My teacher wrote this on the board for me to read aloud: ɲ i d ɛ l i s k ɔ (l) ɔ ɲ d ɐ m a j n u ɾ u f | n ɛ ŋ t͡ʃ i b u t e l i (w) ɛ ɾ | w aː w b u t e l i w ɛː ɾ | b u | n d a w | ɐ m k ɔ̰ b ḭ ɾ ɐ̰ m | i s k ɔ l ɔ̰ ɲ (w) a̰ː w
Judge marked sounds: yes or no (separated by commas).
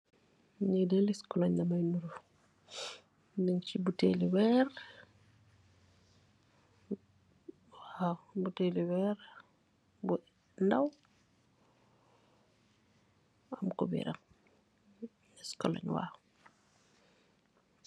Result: yes, yes, yes